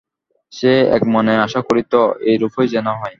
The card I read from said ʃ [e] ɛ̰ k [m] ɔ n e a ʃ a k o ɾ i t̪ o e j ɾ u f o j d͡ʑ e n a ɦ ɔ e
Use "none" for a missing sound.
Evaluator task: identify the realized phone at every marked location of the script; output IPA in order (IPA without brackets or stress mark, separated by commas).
e, m